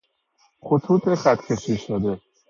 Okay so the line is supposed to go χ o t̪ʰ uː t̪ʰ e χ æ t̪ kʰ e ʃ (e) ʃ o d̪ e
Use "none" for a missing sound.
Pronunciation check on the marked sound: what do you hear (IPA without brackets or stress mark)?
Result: i